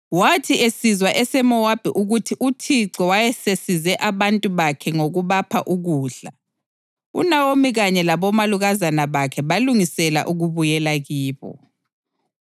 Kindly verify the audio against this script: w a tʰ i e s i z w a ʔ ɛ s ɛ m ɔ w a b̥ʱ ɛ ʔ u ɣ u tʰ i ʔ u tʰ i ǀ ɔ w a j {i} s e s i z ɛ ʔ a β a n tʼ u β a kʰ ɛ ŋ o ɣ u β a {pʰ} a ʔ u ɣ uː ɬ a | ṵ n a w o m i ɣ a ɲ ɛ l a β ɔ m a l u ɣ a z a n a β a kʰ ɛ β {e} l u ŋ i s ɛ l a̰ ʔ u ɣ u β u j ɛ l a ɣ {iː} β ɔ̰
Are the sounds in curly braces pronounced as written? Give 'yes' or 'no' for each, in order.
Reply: no, yes, no, yes

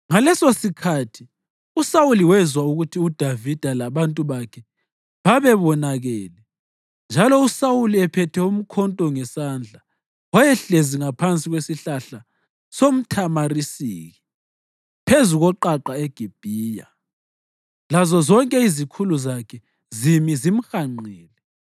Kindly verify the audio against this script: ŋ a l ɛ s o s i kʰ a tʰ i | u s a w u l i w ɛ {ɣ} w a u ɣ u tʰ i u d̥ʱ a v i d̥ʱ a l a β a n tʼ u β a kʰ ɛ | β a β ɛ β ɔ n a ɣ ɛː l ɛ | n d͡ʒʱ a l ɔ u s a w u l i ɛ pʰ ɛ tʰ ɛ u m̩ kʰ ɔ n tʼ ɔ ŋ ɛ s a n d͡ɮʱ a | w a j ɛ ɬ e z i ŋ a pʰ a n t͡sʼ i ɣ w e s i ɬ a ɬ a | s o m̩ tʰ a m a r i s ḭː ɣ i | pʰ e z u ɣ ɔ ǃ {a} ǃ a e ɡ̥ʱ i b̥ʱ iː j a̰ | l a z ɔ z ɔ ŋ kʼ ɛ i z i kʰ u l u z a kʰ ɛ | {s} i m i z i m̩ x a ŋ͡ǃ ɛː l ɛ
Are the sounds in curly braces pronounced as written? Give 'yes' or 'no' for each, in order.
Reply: no, yes, no

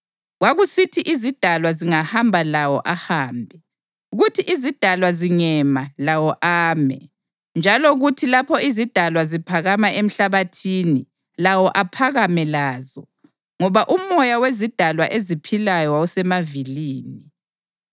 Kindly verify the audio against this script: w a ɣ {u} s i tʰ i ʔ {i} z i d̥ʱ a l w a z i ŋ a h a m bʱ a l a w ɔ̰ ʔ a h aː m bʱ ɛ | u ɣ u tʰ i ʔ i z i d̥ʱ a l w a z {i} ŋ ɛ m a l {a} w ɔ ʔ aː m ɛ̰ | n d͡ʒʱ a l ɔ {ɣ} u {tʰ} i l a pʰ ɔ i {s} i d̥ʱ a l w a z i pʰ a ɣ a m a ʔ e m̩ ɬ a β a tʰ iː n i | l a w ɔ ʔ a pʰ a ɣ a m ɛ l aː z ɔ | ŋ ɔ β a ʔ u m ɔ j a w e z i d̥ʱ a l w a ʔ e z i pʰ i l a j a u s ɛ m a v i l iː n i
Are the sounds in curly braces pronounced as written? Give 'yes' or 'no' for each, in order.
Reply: yes, yes, yes, yes, yes, yes, no

